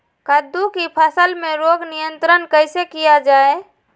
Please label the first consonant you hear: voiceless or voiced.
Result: voiceless